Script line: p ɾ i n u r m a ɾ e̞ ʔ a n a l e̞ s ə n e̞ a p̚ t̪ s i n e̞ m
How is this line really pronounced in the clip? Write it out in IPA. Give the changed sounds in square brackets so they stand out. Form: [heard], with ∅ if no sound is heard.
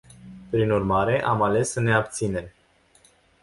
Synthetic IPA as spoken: p ɾ i n u r m a ɾ e̞ ʔ a [m] a l e̞ s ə n e̞ a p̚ t̪ s i n e̞ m